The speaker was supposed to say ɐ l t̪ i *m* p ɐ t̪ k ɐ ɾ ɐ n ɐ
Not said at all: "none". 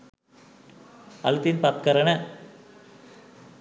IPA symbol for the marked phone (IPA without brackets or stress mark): n